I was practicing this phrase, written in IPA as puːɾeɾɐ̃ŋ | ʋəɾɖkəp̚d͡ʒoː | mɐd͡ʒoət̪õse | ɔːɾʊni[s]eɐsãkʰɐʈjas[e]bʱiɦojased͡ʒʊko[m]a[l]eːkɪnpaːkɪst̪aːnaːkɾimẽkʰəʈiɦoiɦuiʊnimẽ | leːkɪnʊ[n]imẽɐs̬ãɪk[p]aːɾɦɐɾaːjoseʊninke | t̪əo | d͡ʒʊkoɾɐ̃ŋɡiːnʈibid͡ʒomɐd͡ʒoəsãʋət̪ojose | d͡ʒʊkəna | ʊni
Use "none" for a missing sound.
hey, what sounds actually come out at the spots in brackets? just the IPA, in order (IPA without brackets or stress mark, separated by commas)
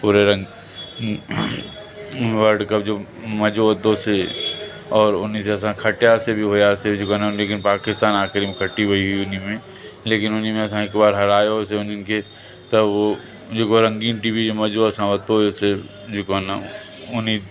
s, e, n, l, n, b